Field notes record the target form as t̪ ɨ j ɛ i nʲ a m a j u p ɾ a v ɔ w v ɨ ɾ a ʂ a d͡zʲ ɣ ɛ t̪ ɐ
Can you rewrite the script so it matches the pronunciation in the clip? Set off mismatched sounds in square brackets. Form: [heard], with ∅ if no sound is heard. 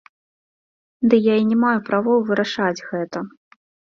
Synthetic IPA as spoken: [d̪] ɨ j [a] i nʲ [ɛ] m a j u p ɾ a v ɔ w v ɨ ɾ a ʂ a d͡zʲ ɣ ɛ t̪ ɐ